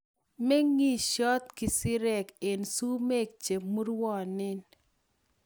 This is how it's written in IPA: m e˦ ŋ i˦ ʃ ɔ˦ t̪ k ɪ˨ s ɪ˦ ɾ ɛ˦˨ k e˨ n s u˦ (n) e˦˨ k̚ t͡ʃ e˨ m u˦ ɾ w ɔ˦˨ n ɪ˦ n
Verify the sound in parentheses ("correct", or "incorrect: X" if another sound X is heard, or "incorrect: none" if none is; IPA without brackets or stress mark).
incorrect: m